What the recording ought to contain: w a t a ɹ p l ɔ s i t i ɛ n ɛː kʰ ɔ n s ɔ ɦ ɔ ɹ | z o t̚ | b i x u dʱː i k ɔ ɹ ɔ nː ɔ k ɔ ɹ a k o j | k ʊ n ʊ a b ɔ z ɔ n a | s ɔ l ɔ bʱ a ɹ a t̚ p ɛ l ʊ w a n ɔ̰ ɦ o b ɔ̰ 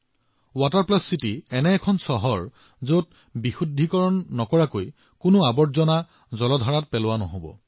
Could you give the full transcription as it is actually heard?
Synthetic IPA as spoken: w a t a ɹ p l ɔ s i t i ɛ n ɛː kʰ ɔ n s ɔ ɦ ɔ ɹ | z o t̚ | b i x u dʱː i k ɔ ɹ ɔ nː ɔ k ɔ ɹ a k o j | k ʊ n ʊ a b ɔ z ɔ n a | z ɔ l ɔ dʱ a ɹ a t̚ p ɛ l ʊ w a n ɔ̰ ɦ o b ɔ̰